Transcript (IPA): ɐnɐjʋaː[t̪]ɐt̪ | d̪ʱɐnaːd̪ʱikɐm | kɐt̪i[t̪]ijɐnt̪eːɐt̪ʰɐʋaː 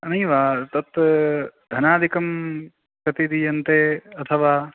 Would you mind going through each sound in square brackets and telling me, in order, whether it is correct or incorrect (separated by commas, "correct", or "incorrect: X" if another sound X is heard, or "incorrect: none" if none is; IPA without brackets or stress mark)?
correct, incorrect: d̪